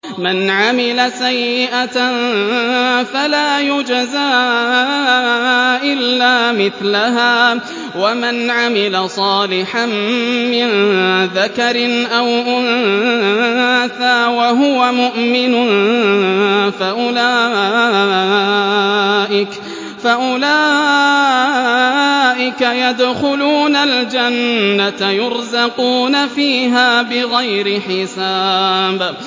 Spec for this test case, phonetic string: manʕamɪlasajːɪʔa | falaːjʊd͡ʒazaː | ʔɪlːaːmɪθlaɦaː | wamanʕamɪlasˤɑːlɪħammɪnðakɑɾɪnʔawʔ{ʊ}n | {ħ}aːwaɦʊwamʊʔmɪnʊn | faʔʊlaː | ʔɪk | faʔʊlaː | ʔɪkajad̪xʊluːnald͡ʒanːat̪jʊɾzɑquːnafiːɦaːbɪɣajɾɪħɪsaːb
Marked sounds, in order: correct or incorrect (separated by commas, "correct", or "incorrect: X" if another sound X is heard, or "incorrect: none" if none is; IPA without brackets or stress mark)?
correct, incorrect: θ